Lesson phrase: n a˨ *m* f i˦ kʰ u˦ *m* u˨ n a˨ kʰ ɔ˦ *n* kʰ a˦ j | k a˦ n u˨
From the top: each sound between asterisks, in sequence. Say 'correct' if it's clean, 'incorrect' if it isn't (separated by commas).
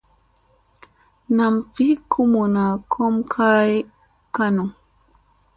correct, correct, incorrect